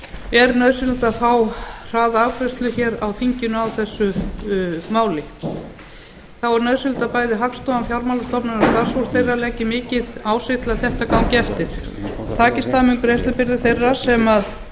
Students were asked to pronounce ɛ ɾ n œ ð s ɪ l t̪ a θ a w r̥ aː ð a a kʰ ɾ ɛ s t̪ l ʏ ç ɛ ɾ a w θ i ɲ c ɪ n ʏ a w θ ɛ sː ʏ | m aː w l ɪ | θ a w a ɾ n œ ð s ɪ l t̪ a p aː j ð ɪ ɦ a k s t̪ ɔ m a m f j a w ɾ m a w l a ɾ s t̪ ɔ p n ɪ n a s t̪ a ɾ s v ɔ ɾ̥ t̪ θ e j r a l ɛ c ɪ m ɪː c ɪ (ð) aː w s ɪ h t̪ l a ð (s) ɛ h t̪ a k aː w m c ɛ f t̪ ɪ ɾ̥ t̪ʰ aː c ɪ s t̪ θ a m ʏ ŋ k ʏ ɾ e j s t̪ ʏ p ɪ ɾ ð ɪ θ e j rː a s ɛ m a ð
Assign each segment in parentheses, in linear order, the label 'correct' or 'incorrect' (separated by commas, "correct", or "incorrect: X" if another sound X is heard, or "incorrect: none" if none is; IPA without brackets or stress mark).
correct, incorrect: θ